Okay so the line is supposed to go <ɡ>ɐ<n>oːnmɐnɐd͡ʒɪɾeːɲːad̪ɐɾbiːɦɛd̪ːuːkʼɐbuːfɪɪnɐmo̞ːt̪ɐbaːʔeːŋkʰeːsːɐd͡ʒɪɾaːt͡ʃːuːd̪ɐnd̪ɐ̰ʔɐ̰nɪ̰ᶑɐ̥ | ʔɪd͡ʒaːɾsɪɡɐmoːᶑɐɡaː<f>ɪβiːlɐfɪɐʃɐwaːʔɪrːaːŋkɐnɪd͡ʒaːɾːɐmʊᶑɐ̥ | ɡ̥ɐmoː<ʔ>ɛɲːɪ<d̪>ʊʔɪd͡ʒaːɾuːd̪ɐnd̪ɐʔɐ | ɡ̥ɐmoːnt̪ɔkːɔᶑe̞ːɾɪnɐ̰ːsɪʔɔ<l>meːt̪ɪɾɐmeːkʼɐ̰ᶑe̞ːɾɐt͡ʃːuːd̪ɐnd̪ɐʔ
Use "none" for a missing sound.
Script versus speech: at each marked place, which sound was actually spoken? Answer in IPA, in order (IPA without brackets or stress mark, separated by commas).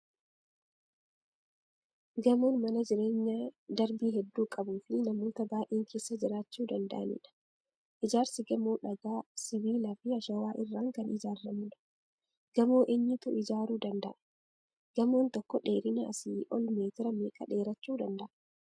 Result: ɡ, m, s, ʔ, t̪, l